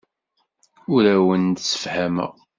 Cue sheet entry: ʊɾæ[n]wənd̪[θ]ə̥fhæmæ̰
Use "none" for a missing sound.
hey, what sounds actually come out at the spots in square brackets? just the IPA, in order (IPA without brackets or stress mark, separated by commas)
none, s